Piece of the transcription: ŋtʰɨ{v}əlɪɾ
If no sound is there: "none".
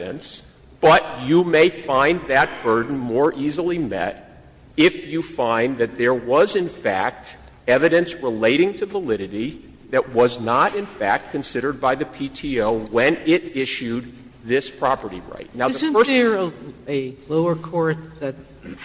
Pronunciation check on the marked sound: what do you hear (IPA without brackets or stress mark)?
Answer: v